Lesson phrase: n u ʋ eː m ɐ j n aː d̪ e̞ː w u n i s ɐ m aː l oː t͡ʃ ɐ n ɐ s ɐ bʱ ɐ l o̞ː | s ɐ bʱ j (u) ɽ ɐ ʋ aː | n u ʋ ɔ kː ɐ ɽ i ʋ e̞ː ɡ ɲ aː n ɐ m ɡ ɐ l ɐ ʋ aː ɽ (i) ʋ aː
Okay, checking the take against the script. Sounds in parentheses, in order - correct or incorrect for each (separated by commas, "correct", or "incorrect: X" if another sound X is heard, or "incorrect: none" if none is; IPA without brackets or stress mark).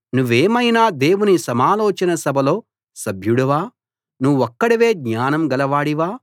correct, correct